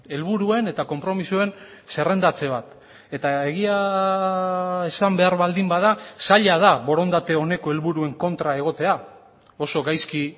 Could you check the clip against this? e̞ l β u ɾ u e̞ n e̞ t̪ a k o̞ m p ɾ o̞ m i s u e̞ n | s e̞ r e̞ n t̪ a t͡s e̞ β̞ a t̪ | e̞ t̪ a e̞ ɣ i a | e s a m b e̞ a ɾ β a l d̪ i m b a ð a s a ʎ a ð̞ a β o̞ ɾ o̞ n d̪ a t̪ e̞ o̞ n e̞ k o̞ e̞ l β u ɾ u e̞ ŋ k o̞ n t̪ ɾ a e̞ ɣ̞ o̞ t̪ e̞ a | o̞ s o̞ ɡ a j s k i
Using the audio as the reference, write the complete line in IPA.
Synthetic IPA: e̞ l β u ɾ u e̞ n e̞ t̪ a k o̞ m p ɾ o̞ m i s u e̞ n | s e̞ r e̞ n d̪ a t͡s e̞ β̞ a t̪ | e̞ t̪ a e̞ ɣ i a | e s a m b e̞ a ɾ β a l d̪ i m b a ð a s a ʎ a ð̞ a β o̞ ɾ o̞ n d̪ a t̪ e̞ o̞ n e̞ k o̞ e̞ l β u ɾ u e̞ ŋ k o̞ n t̪ ɾ a e̞ ɣ̞ o̞ t̪ e̞ a | o̞ s o̞ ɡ a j s k i